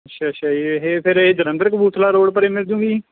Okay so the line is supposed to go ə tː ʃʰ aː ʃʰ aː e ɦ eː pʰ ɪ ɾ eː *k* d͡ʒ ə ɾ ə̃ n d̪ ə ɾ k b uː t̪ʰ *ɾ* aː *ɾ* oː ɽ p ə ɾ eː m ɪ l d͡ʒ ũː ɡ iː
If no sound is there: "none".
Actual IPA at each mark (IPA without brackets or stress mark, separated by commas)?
none, l, ɾ